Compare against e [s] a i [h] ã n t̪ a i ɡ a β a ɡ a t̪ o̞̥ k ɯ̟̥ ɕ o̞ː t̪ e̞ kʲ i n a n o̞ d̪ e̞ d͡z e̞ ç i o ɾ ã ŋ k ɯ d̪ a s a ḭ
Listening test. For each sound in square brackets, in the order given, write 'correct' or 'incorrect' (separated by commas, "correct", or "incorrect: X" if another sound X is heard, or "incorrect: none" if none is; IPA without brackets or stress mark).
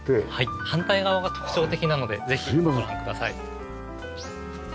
incorrect: h, correct